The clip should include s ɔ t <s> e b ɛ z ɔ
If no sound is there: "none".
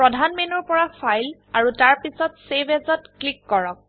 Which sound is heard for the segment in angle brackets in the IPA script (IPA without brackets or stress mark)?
s